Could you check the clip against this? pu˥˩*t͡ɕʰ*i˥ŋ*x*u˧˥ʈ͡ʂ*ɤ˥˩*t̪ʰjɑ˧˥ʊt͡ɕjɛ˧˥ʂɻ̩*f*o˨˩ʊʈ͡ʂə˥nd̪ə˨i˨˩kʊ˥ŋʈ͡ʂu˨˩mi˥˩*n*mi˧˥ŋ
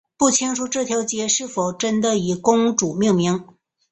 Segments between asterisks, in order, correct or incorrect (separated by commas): correct, incorrect, correct, correct, incorrect